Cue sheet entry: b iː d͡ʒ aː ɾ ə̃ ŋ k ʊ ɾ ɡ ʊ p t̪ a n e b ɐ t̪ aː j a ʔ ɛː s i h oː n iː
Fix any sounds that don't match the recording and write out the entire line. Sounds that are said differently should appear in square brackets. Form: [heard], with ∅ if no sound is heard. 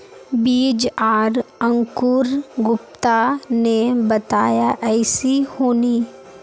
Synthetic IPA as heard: b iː d͡ʒ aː ɾ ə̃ ŋ k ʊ ɾ ɡ ʊ p t̪ a n e b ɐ t̪ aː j a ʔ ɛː s i h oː n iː